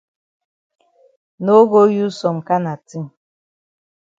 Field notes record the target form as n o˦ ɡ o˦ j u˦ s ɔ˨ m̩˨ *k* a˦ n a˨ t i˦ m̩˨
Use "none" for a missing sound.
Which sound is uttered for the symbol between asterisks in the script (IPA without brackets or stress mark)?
k